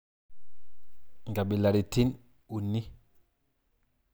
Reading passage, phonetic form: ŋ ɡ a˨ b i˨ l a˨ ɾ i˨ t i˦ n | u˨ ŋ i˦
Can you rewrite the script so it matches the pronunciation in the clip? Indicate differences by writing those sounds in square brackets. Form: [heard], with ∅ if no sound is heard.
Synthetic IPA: ŋ ɡ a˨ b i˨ l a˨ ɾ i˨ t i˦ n | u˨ [n] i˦